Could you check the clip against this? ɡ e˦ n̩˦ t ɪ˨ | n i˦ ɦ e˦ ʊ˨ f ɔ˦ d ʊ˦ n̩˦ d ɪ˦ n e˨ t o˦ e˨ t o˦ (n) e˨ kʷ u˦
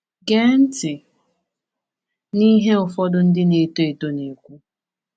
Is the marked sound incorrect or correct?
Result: correct